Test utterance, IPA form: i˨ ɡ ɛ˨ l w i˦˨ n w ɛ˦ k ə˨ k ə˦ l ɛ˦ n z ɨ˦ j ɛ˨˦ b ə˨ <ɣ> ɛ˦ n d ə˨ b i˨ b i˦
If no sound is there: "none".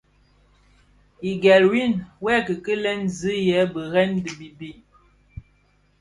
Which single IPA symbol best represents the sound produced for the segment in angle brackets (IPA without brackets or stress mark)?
ɣ